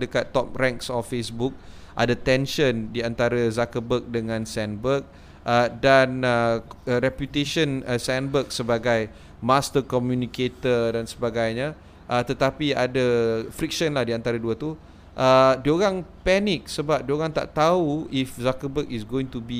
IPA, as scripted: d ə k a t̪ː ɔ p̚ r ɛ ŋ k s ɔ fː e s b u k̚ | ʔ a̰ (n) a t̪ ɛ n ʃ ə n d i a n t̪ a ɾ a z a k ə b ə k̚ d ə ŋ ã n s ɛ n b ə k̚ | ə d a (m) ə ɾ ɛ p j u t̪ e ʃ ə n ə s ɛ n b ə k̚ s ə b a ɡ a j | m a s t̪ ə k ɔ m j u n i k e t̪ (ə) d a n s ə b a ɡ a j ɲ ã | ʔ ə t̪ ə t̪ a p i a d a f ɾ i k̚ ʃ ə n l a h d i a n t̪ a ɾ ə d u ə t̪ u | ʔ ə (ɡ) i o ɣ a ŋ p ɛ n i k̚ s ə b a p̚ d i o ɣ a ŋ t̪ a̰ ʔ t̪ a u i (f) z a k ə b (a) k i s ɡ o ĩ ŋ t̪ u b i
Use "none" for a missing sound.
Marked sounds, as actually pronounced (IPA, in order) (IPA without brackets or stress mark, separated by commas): d, n, ə, d, f, ə